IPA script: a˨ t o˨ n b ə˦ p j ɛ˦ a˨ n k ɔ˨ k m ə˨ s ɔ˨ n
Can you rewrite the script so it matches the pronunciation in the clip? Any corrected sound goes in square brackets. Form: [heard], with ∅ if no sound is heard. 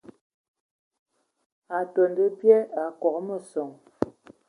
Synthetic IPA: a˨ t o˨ n [d] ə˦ p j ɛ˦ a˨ [∅] k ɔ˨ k m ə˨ s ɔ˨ [ŋ]